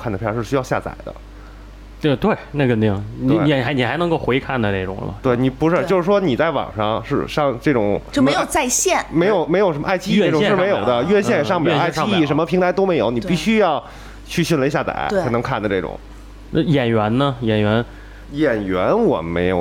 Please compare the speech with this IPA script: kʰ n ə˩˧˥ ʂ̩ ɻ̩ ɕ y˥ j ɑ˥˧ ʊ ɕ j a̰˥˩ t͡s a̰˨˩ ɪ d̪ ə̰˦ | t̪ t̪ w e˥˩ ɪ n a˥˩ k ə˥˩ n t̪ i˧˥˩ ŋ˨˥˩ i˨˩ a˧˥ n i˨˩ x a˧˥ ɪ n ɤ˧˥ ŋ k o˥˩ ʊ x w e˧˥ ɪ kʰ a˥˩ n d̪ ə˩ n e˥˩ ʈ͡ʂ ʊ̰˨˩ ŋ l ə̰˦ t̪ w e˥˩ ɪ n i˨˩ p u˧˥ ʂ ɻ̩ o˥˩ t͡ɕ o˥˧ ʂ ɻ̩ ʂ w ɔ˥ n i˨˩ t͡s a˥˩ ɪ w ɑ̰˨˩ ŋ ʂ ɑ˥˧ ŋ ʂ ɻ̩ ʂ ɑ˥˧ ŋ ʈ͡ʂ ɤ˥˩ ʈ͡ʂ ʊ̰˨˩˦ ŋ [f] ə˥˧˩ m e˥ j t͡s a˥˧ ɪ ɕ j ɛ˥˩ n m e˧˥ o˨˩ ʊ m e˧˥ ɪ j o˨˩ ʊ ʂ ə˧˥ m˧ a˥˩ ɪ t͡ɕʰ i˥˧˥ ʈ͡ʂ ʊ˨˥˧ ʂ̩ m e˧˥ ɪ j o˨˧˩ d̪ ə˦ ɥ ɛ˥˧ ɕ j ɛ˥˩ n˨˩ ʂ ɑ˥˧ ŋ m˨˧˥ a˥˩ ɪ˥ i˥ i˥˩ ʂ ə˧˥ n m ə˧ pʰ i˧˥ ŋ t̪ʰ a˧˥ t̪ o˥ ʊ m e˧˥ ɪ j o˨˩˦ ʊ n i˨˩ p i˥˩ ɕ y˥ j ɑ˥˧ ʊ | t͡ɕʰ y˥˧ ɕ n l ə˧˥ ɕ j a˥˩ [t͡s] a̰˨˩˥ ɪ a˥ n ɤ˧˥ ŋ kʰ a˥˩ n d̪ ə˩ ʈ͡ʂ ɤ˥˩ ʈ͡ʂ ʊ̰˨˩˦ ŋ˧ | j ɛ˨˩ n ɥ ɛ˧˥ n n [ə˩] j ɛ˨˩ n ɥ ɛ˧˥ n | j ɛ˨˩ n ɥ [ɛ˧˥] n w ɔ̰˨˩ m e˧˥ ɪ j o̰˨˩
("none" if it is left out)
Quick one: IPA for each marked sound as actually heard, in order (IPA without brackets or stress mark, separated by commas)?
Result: ʂ, t͡s, ə˧, ɛ˧˥